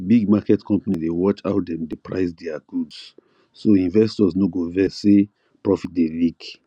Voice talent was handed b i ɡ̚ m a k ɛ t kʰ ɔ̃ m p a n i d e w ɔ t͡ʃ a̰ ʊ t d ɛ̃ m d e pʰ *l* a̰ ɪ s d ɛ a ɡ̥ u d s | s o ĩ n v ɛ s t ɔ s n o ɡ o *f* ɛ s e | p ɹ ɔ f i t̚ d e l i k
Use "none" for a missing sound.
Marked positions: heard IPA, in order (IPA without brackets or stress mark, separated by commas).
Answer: ɹ, v